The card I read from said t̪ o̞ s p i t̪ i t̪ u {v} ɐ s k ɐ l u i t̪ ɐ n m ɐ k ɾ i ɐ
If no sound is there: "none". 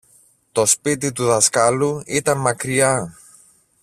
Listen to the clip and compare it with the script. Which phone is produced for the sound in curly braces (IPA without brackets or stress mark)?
ð